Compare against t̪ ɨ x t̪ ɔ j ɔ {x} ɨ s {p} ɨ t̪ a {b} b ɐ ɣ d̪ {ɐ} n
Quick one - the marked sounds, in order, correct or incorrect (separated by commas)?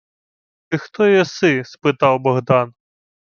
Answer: incorrect, correct, incorrect, incorrect